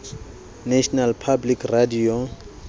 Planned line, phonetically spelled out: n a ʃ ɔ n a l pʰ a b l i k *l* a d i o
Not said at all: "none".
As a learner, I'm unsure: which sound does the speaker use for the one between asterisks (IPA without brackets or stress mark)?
r